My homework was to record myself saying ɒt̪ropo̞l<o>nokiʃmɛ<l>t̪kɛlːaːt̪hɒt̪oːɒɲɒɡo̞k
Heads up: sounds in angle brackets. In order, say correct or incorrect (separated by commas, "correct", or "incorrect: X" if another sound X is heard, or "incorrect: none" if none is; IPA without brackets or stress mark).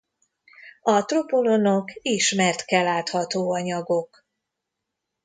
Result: correct, incorrect: r